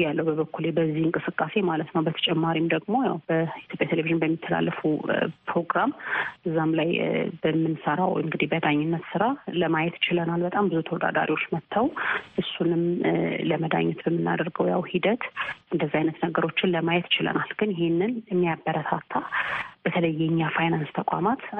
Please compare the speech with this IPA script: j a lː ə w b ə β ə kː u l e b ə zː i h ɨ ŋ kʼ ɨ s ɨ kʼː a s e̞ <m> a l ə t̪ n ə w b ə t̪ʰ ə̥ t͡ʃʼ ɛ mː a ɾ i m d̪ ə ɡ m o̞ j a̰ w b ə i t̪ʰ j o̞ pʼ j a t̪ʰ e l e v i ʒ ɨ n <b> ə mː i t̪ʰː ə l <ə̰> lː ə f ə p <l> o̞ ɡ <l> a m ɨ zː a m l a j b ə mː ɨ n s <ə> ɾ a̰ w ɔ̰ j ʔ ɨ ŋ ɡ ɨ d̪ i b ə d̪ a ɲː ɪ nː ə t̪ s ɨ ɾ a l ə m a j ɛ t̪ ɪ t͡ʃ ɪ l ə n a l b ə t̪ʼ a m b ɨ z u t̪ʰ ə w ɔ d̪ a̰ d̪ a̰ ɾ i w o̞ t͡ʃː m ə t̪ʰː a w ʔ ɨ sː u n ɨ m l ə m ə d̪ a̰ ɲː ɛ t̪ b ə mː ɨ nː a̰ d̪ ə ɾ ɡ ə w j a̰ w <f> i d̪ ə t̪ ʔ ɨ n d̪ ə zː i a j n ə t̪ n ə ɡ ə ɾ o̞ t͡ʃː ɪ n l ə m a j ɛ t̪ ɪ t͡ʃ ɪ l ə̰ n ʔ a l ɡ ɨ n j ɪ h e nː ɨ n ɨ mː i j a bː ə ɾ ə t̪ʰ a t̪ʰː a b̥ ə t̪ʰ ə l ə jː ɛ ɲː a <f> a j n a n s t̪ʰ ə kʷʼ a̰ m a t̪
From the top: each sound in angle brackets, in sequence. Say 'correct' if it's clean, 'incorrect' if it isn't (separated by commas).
correct, correct, incorrect, incorrect, incorrect, correct, incorrect, correct